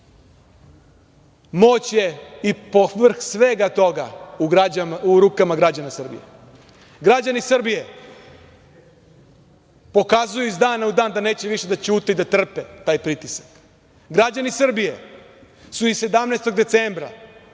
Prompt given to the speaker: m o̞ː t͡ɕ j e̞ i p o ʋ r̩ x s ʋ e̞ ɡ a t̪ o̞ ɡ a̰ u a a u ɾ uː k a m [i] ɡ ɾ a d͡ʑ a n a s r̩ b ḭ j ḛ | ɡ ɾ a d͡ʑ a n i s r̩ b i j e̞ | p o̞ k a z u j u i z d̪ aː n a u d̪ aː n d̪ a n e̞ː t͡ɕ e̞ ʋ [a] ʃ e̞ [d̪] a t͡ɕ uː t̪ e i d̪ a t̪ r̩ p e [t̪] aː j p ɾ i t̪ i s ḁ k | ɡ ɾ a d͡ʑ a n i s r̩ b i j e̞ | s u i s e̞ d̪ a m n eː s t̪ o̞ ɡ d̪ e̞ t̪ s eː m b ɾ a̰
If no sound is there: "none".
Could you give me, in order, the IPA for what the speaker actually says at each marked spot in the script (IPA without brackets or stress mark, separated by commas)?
a, i, d̪, t̪